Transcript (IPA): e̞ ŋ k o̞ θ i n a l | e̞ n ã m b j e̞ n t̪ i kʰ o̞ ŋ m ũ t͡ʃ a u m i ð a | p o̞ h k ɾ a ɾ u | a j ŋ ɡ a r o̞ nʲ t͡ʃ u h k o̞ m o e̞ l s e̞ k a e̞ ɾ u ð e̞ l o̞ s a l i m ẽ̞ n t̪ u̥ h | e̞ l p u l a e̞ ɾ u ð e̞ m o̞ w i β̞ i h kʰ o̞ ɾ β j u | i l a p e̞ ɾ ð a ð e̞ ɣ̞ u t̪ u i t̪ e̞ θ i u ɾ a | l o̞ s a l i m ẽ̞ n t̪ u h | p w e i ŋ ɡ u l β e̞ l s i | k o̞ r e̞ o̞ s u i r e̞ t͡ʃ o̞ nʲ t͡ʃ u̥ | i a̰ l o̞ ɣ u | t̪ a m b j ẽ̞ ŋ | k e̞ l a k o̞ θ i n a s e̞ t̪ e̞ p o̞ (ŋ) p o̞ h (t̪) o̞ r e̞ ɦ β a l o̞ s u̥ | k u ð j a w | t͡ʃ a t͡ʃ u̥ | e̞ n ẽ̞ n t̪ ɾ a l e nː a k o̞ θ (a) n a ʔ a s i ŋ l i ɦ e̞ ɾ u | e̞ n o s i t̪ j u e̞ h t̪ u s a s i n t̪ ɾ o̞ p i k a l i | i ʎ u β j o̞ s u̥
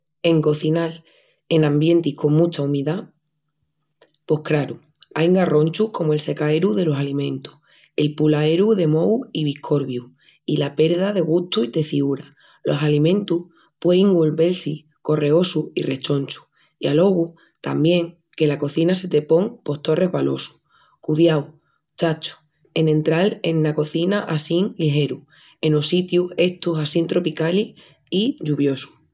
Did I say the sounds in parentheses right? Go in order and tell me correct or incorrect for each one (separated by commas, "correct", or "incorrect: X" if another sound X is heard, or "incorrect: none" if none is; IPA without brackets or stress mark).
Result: correct, correct, incorrect: i